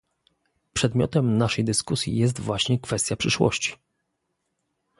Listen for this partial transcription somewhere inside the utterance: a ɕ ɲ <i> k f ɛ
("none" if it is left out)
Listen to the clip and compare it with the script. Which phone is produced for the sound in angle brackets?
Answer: ɛ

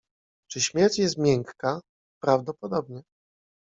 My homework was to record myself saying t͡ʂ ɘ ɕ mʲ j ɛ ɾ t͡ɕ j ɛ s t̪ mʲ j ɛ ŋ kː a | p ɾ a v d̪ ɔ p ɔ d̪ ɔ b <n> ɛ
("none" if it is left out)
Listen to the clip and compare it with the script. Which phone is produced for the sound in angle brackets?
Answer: ɲ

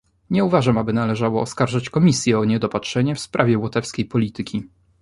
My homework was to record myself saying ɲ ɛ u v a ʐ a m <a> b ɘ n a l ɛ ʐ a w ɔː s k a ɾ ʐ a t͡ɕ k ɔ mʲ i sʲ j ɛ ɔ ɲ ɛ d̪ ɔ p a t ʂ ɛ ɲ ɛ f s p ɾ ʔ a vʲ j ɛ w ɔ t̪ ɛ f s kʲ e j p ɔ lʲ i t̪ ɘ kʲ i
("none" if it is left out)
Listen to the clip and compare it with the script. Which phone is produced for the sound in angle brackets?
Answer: a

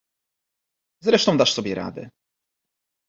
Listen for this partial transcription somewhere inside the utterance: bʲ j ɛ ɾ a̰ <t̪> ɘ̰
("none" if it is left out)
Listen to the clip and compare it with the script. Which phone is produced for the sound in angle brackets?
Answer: d̪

